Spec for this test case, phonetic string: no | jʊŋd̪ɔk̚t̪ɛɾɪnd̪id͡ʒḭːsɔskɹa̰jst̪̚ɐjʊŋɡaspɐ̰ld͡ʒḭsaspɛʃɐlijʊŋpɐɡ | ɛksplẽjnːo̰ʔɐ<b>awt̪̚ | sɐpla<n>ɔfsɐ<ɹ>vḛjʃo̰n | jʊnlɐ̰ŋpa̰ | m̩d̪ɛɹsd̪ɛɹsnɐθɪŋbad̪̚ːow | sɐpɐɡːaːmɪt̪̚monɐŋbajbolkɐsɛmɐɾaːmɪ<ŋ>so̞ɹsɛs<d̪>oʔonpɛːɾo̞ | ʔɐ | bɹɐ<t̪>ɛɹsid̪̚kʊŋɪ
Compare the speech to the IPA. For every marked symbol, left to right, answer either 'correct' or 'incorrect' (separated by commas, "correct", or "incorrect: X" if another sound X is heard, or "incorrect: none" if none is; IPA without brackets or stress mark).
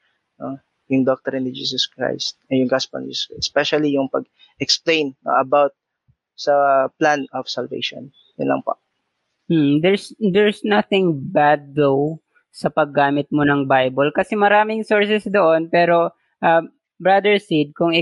correct, correct, incorrect: l, correct, correct, incorrect: d̪